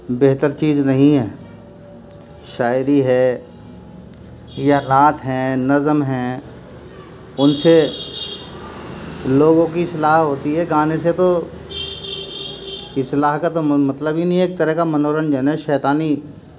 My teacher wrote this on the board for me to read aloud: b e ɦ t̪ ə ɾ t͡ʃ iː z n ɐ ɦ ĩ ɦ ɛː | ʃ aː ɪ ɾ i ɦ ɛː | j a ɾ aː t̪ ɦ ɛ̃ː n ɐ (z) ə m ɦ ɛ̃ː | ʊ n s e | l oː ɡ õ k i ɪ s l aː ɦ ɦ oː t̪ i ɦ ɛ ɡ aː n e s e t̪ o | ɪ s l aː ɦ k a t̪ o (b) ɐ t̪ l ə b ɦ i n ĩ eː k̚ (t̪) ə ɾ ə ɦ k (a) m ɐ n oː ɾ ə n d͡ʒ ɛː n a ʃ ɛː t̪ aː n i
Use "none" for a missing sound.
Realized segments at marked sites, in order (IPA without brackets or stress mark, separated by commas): z, m, t̪, a